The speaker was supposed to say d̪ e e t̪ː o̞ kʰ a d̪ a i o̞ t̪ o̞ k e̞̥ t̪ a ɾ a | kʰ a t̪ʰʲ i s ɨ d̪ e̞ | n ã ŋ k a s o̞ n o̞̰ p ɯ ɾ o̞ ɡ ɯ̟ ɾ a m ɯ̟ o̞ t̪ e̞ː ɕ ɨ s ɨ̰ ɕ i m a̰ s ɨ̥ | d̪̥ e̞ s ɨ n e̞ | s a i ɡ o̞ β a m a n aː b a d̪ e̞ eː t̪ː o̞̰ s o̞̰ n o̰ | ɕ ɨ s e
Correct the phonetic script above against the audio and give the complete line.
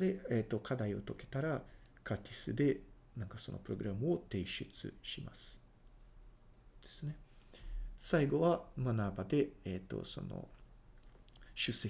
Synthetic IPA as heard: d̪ e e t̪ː o̞ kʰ a d̪ a i o̞ t̪ o̞ k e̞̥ t̪ a ɾ a | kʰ a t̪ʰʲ i s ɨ d̪ e̞ | n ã ŋ k a s o̞ n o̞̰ p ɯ ɾ o̞ ɡ ɯ̟ ɾ a m ɯ̟ o̞ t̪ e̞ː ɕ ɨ t͡s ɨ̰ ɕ i m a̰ s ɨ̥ | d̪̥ e̞ s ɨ n e̞ | s a i ɡ o̞ β a m a n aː b a d̪ e̞ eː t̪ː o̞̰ s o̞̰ n o̰ | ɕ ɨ s e